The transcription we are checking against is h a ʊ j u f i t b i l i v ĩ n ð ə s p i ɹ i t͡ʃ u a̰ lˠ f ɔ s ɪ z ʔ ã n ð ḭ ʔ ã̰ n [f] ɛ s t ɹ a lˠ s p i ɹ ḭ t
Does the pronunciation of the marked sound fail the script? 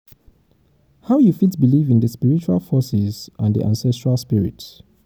yes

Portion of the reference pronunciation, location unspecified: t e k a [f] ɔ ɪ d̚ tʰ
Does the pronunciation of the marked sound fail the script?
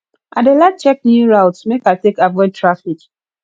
yes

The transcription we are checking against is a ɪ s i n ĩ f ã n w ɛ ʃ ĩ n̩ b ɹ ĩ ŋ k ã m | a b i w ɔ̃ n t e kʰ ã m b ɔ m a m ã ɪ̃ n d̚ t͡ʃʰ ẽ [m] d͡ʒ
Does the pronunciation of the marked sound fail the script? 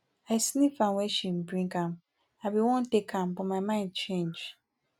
yes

